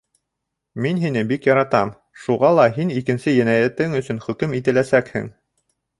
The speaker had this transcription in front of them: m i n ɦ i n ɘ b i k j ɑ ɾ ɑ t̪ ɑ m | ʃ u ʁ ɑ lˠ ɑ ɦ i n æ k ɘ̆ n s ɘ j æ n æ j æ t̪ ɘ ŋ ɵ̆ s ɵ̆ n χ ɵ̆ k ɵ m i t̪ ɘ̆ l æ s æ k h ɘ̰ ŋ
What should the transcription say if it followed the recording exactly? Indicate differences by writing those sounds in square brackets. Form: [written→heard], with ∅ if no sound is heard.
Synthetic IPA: m i n ɦ i n ɘ b i k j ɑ ɾ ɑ t̪ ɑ m | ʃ u ʁ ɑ lˠ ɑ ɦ i n [æ→i] k ɘ̆ n s ɘ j æ n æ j æ t̪ ɘ ŋ ɵ̆ s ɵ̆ n χ ɵ̆ k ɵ m i t̪ ɘ̆ l æ s æ k h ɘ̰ ŋ

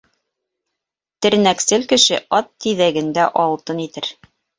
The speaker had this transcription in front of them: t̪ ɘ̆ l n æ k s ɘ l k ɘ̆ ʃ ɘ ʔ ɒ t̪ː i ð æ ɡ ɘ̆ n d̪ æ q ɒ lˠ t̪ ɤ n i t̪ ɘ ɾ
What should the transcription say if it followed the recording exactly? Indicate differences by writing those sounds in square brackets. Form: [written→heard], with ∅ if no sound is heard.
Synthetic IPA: t̪ ɘ̆ [l→ɾ] n æ k s ɘ l k ɘ̆ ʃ ɘ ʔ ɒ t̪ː i ð æ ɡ ɘ̆ n d̪ æ [q→ʔ] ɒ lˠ t̪ ɤ n i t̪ ɘ ɾ

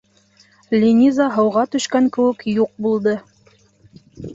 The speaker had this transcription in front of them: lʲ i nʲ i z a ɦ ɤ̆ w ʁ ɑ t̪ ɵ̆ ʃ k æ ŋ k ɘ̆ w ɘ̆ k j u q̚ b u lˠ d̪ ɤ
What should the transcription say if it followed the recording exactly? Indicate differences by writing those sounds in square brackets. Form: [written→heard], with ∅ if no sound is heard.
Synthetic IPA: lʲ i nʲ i z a ɦ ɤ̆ w ʁ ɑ t̪ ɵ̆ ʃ k æ ŋ k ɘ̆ w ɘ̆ k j u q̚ b u lˠ d̪ ɤ

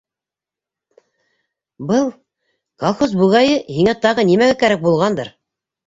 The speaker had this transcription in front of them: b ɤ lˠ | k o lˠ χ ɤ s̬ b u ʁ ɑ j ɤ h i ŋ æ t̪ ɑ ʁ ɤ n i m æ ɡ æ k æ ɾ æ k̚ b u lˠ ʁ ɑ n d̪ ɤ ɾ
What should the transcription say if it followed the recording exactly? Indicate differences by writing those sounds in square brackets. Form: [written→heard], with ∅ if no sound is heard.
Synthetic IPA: b ɤ lˠ | k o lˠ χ [ɤ→o] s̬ b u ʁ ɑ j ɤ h i ŋ æ t̪ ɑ ʁ ɤ n i m æ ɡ æ k æ ɾ æ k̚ b u lˠ ʁ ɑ n d̪ ɤ ɾ

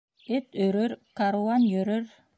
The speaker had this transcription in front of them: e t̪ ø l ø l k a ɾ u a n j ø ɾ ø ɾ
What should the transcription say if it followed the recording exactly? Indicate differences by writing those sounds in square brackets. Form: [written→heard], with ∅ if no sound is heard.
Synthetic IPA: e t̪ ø [l→ɾ] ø [l→ɾ] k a ɾ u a n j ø ɾ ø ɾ

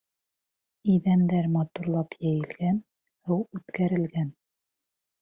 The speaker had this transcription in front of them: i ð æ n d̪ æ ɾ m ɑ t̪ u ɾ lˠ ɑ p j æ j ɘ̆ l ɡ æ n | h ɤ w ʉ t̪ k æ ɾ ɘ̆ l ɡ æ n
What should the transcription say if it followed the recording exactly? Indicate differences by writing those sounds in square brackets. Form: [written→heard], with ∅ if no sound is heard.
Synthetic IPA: i ð æ n d̪ æ ɾ m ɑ t̪ u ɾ lˠ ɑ p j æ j ɘ̆ l ɡ æ n | h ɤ w ʉ t̪ k æ ɾ ɘ̆ l ɡ æ n

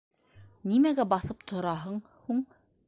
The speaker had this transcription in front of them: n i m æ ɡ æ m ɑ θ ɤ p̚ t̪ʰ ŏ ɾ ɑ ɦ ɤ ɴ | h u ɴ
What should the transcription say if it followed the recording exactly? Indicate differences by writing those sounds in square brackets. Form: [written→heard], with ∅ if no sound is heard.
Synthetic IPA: n i m æ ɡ æ [m→b] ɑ θ ɤ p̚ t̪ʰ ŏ ɾ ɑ ɦ ɤ ɴ | h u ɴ

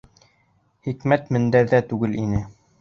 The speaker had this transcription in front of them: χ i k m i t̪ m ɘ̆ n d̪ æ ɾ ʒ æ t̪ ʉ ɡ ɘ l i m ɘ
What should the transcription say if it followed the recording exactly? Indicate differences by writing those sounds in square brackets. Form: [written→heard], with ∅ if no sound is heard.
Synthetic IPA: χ i k m [i→æ] t̪ m ɘ̆ n d̪ æ ɾ [ʒ→ð] æ t̪ ʉ ɡ ɘ l i [m→n] ɘ

